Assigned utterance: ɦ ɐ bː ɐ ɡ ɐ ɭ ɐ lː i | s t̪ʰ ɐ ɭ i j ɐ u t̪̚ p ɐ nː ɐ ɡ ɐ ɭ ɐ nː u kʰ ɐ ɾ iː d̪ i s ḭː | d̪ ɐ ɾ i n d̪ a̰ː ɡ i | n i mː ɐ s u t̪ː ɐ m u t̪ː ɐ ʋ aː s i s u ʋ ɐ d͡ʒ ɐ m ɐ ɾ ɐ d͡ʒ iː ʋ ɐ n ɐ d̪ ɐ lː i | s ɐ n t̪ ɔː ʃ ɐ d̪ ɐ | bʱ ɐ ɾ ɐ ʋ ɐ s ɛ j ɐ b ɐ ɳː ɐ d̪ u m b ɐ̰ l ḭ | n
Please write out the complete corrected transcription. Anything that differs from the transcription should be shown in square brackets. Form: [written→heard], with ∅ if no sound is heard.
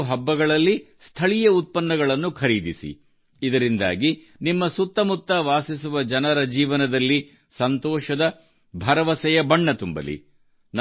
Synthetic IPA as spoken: ɦ ɐ bː ɐ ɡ ɐ ɭ ɐ lː i | s t̪ʰ ɐ ɭ i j ɐ u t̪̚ p ɐ nː ɐ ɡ ɐ ɭ ɐ nː u kʰ ɐ ɾ iː d̪ i s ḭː | d̪ ɐ ɾ i n d̪ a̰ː ɡ i | n i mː ɐ s u t̪ː ɐ m u t̪ː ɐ ʋ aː s i s u ʋ ɐ d͡ʒ ɐ [m→n] ɐ ɾ ɐ d͡ʒ iː ʋ ɐ n ɐ d̪ ɐ lː i | s ɐ n t̪ ɔː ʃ ɐ d̪ ɐ | bʱ ɐ ɾ ɐ ʋ ɐ s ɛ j ɐ b ɐ ɳː ɐ [d̪→t̪] u m b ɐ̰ l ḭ | n